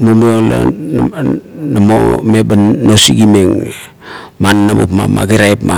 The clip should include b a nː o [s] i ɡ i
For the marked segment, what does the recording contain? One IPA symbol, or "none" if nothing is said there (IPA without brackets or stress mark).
s